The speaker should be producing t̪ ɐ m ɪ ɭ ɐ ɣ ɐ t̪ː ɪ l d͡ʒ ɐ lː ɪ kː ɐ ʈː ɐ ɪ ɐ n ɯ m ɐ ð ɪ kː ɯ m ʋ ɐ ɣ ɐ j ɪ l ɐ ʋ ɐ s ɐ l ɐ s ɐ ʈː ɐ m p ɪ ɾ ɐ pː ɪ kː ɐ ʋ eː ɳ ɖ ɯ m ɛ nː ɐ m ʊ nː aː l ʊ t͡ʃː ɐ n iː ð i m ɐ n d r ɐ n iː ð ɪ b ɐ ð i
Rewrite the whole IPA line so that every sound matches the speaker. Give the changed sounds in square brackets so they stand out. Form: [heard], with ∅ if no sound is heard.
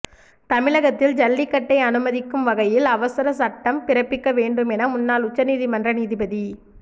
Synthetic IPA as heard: t̪ ɐ m ɪ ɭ ɐ ɣ ɐ t̪ː ɪ l d͡ʒ ɐ lː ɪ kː ɐ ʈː ɐ ɪ ɐ n ɯ m ɐ ð ɪ kː ɯ m ʋ ɐ ɣ ɐ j ɪ l ɐ ʋ ɐ s ɐ [ɾ] ɐ s ɐ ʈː ɐ m p ɪ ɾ ɐ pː ɪ kː ɐ ʋ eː ɳ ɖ ɯ m ɛ [n] ɐ m ʊ nː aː l ʊ t͡ʃː ɐ n iː ð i m ɐ n d r ɐ n iː ð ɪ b ɐ ð i